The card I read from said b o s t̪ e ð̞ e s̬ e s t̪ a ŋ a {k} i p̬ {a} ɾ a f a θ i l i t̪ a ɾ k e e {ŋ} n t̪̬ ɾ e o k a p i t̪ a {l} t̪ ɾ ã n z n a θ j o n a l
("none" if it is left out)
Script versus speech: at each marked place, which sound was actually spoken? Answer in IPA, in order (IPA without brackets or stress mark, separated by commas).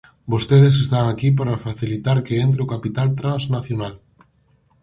k, a, none, l